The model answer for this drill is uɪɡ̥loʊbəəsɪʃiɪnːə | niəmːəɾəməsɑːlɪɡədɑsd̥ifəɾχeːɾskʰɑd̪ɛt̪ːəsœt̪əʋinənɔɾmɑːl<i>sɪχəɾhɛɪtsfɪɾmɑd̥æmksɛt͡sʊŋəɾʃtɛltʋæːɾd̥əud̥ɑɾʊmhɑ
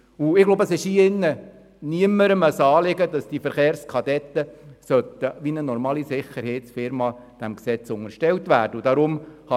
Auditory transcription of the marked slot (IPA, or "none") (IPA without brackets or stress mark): i